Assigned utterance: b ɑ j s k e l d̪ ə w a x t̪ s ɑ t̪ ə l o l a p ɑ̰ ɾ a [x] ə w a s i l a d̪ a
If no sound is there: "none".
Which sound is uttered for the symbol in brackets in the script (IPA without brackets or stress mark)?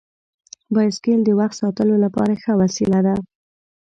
x